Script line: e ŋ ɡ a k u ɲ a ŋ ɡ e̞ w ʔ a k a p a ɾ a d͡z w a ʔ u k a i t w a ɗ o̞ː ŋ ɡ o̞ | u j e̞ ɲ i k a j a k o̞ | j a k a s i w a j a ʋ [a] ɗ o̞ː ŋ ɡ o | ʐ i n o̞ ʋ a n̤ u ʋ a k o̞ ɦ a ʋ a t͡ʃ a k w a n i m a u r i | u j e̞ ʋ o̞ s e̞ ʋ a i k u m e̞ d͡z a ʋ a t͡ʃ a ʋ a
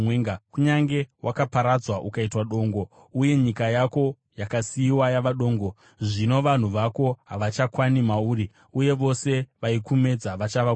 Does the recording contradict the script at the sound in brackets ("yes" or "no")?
no